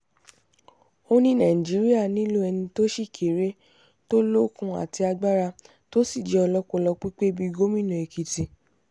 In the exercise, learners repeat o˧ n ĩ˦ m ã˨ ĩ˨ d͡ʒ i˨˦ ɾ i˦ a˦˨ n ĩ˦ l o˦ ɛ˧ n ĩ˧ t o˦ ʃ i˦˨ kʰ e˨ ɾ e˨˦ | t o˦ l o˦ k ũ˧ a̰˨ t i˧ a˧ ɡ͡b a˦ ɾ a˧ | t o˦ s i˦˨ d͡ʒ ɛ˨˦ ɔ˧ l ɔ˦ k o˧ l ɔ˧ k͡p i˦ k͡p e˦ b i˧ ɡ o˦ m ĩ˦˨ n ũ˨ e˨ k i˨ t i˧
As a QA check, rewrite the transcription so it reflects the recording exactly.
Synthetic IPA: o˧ n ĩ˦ n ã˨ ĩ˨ d͡ʒ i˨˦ ɾ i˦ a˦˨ n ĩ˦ l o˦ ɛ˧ n ĩ˧ t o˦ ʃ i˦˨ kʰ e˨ ɾ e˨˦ | t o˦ l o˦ k ũ˧ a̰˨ t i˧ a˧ ɡ͡b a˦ ɾ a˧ | t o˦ s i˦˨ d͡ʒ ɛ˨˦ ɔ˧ l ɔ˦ k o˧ l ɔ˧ k͡p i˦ k͡p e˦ b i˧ ɡ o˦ m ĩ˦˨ n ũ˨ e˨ k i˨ t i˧